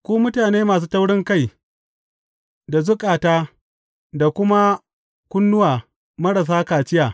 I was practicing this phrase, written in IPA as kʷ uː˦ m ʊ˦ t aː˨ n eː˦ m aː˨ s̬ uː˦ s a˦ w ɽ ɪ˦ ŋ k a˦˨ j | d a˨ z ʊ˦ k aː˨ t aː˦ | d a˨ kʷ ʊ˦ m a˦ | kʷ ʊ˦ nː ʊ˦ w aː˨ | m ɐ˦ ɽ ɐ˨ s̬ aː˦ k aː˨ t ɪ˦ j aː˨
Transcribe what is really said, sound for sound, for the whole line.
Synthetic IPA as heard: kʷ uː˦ m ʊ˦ t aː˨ n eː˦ m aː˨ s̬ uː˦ t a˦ w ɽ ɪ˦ ŋ k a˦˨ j | d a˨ z ʊ˦ kʼ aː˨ t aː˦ | d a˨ kʷ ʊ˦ m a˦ | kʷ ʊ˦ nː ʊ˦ w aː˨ | m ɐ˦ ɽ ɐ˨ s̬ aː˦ k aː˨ t͡ʃ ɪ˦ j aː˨